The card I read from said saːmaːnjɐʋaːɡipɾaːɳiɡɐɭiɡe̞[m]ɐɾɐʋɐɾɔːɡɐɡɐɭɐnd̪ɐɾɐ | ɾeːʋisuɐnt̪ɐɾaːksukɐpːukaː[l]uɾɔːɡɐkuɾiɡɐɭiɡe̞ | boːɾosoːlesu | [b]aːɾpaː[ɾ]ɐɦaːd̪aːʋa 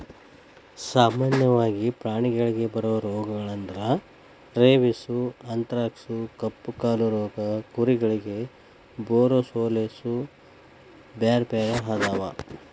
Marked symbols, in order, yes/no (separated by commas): no, yes, yes, yes